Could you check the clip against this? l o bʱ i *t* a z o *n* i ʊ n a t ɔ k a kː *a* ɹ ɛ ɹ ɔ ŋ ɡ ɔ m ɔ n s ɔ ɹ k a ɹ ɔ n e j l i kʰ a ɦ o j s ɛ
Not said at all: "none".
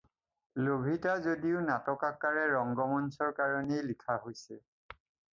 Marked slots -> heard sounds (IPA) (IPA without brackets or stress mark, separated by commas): t, d, a